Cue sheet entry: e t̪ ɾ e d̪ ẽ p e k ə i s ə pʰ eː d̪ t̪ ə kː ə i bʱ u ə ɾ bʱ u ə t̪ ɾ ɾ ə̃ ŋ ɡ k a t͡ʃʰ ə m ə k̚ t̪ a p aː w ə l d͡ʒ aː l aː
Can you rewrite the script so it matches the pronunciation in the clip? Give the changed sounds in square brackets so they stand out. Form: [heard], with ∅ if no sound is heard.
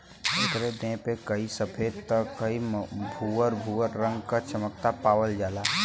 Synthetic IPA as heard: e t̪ ɾ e d̪ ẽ p e k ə i s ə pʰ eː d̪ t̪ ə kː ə i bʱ u ə ɾ bʱ u ə [∅] ɾ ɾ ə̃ ŋ ɡ k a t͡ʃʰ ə m ə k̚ t̪ a p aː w ə l d͡ʒ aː l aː